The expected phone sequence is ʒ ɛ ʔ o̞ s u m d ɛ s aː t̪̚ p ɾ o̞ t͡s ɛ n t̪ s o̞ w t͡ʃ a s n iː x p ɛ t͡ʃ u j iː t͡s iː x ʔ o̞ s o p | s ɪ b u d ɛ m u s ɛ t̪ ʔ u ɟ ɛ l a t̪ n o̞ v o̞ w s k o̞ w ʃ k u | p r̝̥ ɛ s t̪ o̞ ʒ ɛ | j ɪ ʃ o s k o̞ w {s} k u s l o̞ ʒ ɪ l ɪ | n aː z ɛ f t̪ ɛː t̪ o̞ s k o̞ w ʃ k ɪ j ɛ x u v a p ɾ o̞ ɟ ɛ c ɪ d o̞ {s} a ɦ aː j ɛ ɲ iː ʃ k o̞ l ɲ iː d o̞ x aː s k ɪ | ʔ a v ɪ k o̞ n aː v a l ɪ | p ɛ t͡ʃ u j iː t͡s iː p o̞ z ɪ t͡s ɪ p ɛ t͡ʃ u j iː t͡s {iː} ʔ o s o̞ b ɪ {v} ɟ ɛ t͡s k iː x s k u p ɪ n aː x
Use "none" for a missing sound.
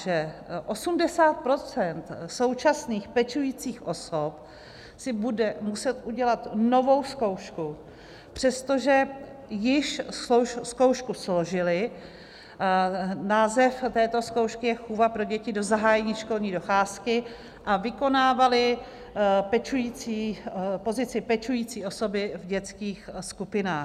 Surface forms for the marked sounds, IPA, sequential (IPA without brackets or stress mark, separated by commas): ʃ, z, iː, v